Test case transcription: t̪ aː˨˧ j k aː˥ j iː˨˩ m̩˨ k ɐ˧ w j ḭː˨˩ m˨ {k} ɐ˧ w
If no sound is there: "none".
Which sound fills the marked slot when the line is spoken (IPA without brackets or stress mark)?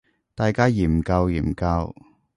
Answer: k